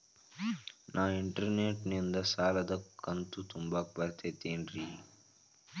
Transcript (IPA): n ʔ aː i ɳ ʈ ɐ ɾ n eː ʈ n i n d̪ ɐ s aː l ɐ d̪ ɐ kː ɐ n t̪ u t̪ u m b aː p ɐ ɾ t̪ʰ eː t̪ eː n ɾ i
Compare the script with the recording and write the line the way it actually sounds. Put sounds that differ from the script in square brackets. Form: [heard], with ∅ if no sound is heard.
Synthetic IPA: n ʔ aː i ɳ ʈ ɐ ɾ n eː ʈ n i n d̪ ɐ s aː l ɐ d̪ ɐ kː ɐ n t̪ u t̪ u m b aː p ɐ ɾ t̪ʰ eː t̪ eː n ɾ i